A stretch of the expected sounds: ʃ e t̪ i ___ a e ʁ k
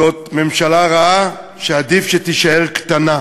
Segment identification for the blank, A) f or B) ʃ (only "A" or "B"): B